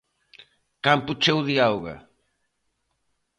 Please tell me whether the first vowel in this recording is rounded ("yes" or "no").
no